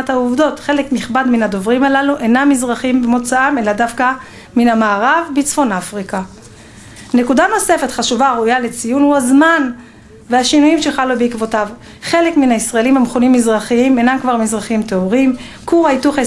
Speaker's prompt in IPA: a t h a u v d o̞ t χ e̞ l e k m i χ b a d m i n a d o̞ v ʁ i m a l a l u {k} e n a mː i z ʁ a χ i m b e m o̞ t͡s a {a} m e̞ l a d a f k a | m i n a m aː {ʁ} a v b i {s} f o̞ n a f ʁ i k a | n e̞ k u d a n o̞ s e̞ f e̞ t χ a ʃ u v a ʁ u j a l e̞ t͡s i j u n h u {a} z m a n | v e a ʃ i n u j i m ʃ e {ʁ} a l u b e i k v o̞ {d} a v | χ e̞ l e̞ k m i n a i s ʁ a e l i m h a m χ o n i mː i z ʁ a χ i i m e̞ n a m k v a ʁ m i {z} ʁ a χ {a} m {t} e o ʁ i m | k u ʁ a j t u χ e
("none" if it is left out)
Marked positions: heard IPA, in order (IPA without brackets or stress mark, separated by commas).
ʔ, a, ʁ, t͡s, a, χ, t, z, i, t